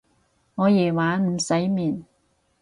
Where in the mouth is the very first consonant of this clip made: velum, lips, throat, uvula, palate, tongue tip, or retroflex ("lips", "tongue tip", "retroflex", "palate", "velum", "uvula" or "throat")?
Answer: velum